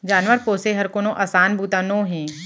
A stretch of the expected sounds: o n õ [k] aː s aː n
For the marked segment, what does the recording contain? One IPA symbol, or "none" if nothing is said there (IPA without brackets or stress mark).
ʔ